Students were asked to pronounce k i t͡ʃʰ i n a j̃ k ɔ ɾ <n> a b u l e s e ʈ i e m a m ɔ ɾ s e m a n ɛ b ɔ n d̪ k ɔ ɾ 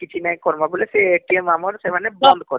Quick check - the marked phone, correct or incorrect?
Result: incorrect